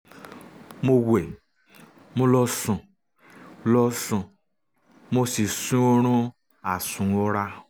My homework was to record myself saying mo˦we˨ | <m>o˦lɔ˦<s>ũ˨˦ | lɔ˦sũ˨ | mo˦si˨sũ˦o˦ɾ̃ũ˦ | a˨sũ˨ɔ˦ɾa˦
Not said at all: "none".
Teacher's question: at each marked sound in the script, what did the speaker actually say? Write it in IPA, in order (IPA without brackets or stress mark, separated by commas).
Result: m, s